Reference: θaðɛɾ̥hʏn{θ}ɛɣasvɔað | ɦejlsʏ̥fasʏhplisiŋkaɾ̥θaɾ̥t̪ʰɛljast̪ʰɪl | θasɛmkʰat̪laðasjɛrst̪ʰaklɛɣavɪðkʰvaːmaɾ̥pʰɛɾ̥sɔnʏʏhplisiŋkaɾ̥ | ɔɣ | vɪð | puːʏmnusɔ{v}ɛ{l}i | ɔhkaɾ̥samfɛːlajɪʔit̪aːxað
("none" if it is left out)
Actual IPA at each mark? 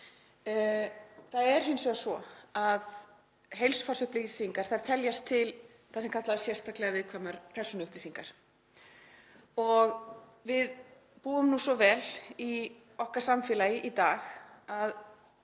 s, v, l

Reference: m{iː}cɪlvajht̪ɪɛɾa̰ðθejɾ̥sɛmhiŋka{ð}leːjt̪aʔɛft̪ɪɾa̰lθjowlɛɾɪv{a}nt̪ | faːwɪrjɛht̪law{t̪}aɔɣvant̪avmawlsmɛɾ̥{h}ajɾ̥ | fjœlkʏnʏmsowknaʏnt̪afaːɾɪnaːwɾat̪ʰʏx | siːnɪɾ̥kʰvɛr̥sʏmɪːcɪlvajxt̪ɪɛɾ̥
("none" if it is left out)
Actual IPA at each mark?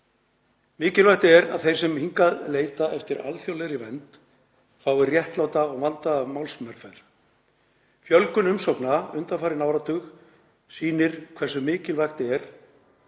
ɪː, ð, ɛ, t̪, f

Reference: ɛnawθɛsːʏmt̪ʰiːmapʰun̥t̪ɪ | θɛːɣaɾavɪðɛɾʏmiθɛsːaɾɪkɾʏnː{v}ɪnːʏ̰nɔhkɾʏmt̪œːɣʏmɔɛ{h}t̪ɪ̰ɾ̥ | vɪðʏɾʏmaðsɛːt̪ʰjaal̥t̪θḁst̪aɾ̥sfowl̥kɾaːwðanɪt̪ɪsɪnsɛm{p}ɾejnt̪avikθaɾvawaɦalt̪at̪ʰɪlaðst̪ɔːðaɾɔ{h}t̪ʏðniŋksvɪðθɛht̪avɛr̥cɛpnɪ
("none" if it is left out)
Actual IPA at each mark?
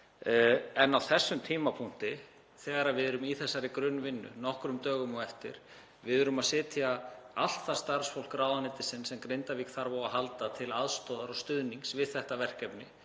v, f, k, s

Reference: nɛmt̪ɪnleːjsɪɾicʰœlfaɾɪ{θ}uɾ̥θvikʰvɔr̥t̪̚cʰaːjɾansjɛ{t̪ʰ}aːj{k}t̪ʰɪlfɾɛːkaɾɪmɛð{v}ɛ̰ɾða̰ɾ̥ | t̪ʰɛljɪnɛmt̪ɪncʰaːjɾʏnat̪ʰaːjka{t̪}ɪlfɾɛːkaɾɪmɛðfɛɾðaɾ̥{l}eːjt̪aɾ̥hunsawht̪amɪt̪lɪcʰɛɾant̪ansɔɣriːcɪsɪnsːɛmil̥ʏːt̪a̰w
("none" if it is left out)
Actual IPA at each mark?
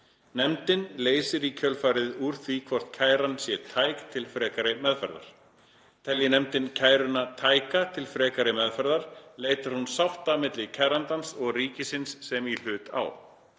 ð, t̪ʰ, k, f, t̪ʰ, l

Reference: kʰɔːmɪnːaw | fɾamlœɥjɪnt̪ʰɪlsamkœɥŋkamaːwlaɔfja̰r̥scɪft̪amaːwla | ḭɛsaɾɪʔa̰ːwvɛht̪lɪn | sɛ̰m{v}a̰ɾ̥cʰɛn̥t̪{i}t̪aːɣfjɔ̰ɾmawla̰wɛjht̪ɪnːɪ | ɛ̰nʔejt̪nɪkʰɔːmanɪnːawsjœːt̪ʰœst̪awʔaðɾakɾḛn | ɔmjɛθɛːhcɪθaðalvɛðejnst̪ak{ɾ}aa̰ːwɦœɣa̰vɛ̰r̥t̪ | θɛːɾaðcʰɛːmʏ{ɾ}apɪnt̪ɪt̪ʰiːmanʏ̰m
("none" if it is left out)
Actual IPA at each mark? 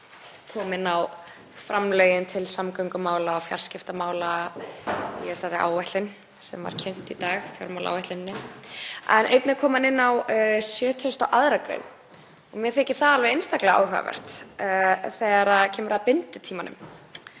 v, i, l, ɾ

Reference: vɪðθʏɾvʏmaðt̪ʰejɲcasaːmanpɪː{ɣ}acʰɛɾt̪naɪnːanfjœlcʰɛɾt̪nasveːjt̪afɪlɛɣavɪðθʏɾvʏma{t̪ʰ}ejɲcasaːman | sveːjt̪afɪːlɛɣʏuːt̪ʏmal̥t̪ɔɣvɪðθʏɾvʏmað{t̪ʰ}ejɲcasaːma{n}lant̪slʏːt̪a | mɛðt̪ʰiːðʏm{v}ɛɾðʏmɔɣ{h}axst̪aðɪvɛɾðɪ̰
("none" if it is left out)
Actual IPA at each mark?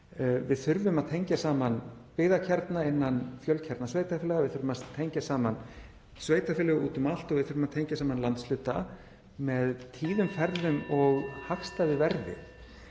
ð, t̪ʰ, t̪ʰ, n, f, h

